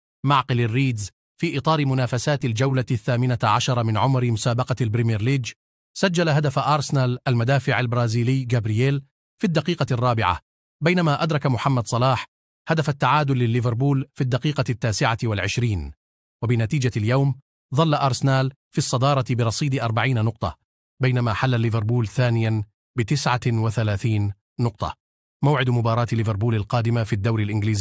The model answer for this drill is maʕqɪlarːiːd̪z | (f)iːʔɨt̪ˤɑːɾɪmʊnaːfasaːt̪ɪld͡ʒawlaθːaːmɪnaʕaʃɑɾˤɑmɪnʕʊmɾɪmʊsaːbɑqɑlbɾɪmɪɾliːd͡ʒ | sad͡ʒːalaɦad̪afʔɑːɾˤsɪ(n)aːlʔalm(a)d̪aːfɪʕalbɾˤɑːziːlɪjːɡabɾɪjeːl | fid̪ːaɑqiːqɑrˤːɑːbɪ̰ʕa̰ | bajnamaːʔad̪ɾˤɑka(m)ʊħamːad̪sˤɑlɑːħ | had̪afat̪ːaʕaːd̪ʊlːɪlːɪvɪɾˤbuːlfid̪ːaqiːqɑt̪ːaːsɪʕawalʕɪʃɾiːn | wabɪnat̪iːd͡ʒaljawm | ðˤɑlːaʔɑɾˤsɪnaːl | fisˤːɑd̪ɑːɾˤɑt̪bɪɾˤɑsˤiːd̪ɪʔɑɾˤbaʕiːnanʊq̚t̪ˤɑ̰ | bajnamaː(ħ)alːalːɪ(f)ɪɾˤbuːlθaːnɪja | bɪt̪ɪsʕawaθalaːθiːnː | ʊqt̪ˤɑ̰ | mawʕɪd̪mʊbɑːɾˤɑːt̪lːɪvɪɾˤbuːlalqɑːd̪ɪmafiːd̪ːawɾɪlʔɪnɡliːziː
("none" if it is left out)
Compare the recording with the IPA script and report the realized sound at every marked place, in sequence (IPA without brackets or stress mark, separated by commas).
f, n, a, m, ħ, v